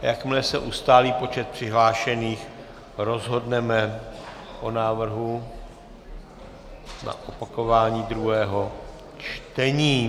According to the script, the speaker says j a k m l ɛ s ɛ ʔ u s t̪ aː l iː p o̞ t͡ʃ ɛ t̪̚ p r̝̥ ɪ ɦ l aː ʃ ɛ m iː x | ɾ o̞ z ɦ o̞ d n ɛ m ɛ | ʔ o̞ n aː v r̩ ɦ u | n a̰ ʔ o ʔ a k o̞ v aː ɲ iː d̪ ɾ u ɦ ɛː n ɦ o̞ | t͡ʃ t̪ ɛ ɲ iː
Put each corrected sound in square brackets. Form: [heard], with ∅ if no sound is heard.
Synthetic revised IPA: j a k m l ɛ s ɛ ʔ u s t̪ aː l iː p o̞ t͡ʃ ɛ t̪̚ p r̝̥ ɪ ɦ l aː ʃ ɛ [n] iː x | ɾ o̞ z ɦ o̞ d n ɛ m ɛ | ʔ o̞ n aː v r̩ ɦ u | n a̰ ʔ o [p] a k o̞ v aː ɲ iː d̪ ɾ u ɦ ɛː [∅] ɦ o̞ | t͡ʃ t̪ ɛ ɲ iː

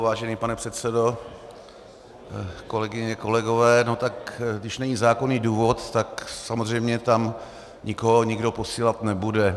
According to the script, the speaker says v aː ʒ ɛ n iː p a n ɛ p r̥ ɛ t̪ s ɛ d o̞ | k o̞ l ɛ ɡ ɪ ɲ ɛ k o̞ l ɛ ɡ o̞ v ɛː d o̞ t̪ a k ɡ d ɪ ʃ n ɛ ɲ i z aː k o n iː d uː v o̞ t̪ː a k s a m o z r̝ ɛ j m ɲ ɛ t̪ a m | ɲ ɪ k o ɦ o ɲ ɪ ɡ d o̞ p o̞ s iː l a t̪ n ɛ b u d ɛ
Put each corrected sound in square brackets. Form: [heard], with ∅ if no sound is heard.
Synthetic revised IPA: v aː ʒ ɛ n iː p a n ɛ p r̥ ɛ t̪ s ɛ d o̞ | k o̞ l ɛ ɡ ɪ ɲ ɛ k o̞ l ɛ ɡ o̞ v ɛː [n] o̞ t̪ a k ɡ d ɪ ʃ n ɛ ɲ i z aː k o n iː d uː v o̞ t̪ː a k s a m o z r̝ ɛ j m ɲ ɛ t̪ a m | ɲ ɪ k o ɦ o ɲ ɪ ɡ d o̞ p o̞ s iː l a t̪ n ɛ b u d ɛ

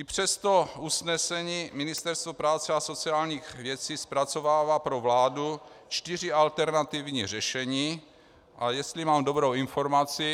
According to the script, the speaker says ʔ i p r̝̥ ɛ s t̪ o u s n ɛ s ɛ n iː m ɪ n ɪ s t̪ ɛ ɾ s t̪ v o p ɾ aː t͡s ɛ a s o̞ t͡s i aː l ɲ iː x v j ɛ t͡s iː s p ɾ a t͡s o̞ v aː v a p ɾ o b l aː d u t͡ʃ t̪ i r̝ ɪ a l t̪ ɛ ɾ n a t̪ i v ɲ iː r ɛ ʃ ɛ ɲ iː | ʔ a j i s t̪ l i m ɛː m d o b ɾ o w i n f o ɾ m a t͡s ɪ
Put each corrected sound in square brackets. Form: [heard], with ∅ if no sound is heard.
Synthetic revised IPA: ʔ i p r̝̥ ɛ s t̪ o u s n ɛ s ɛ [ɲ] iː m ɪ n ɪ s t̪ ɛ ɾ s t̪ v o p ɾ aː t͡s ɛ a s o̞ t͡s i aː l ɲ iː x v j ɛ t͡s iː s p ɾ a t͡s o̞ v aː v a p ɾ o [v] l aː d u t͡ʃ t̪ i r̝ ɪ a l t̪ ɛ ɾ n a t̪ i v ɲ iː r ɛ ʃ ɛ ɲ iː | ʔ a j [ɛ] s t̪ l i m [aː] m d o b ɾ o w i n f o ɾ m a t͡s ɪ

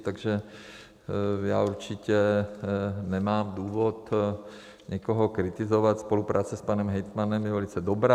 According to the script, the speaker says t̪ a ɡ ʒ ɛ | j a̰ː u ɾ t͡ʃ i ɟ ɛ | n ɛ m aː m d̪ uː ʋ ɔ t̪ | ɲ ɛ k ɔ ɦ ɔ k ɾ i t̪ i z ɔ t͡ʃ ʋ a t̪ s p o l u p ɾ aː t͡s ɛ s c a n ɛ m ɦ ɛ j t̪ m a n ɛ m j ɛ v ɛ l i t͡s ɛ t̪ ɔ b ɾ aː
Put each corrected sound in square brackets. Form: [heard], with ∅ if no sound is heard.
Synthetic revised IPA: t̪ a ɡ ʒ ɛ | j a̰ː u ɾ t͡ʃ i [c] ɛ | n ɛ m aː m d̪ uː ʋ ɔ t̪ | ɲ ɛ k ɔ ɦ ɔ k ɾ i t̪ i z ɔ [∅] ʋ a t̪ s p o l u p ɾ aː t͡s ɛ s [p] a n ɛ m ɦ ɛ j t̪ m a n ɛ m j ɛ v ɛ l i t͡s ɛ [d̪] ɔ b ɾ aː

